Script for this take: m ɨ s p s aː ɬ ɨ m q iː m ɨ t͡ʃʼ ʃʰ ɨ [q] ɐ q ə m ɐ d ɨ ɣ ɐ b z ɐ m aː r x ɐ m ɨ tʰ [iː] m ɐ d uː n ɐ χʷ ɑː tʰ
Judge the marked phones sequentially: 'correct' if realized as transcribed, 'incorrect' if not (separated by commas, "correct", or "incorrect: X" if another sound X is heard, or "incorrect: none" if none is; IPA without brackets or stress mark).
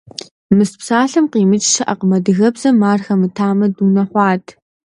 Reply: incorrect: ʔ, incorrect: aː